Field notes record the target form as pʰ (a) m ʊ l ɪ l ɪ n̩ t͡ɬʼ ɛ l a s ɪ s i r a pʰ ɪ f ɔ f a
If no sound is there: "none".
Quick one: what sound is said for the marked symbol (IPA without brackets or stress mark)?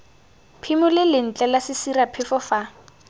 i